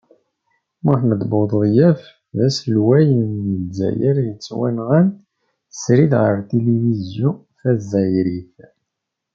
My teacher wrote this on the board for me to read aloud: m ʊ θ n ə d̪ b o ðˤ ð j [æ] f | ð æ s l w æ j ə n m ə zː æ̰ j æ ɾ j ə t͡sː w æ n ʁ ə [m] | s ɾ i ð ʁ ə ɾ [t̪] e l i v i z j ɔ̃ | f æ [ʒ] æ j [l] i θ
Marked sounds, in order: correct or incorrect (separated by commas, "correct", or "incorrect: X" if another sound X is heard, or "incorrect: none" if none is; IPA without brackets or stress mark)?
correct, incorrect: n, correct, incorrect: z, incorrect: ɾ